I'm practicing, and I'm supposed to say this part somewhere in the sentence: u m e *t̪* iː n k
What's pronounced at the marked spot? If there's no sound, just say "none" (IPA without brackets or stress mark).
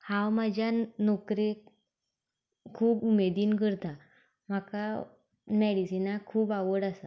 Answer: d̪